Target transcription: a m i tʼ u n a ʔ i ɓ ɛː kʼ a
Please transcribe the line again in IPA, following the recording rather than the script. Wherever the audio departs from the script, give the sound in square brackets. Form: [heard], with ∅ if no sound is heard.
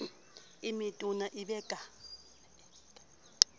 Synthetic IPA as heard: [i] m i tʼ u n a ʔ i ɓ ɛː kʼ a